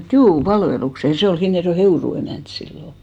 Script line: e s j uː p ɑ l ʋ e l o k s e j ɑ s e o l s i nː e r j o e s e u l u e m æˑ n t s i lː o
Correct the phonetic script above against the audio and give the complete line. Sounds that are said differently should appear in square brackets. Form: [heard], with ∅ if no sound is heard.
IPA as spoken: e [t] j uː p ɑ l ʋ e l [u] k s e j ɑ s e o l [h] i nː e r j o e [h] e u [r] u e m æˑ n t s i lː o